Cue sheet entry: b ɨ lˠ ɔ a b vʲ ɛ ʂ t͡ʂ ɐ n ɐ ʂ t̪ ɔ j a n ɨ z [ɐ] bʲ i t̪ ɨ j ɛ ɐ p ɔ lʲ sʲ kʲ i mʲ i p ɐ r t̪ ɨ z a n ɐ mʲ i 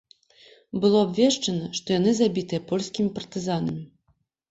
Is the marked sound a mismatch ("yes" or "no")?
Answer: yes